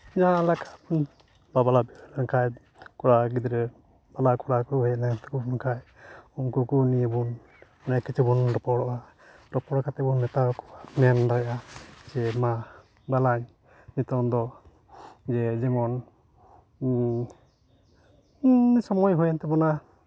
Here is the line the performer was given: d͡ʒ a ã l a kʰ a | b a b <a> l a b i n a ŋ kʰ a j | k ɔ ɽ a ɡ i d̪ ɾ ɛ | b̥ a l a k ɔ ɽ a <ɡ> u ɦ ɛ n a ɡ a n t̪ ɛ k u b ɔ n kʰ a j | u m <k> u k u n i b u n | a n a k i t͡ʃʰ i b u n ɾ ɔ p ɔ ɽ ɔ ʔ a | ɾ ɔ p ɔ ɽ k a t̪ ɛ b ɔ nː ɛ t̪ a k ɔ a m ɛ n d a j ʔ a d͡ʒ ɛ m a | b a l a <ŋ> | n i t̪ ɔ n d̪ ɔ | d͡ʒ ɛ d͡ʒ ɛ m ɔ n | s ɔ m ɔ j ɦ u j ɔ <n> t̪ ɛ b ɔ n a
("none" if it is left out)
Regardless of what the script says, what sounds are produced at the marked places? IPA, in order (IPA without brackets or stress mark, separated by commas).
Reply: a, k, k, ɲ, n